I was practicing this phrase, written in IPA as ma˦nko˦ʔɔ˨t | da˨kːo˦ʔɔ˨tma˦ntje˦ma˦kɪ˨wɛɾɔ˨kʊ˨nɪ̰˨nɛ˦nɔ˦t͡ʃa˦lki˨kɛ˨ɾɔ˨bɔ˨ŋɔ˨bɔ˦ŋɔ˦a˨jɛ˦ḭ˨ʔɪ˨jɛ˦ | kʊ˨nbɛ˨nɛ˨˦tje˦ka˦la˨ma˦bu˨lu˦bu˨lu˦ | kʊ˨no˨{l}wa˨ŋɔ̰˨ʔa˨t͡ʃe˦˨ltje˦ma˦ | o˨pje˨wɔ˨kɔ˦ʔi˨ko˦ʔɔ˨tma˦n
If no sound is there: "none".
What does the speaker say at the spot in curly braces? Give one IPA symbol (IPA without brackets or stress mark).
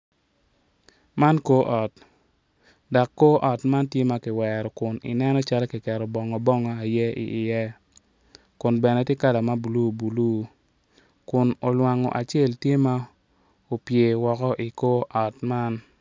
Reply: l